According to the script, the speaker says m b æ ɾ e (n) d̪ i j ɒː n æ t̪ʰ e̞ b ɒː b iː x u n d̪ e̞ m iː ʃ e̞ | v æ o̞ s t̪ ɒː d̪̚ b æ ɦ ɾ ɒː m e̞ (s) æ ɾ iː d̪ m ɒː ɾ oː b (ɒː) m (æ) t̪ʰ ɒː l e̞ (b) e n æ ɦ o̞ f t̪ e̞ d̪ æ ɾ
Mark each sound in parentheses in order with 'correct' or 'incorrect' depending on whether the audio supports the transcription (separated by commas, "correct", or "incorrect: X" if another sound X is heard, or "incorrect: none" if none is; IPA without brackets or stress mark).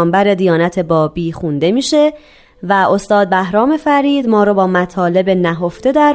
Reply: incorrect: none, incorrect: f, correct, correct, correct